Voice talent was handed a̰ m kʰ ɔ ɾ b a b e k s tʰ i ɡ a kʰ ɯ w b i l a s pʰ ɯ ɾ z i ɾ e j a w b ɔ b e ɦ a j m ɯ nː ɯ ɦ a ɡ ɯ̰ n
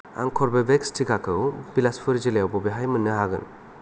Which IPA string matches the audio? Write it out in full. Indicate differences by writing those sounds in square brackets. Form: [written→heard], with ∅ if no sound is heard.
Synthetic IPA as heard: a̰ [m→ŋ] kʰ ɔ ɾ b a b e k s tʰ i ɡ a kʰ ɯ w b i l a s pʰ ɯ ɾ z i [ɾ→l] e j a w b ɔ b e ɦ a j m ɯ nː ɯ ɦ a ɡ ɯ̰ n